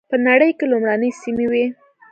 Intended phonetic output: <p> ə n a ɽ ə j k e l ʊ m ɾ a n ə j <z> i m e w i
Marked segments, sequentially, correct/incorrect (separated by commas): correct, incorrect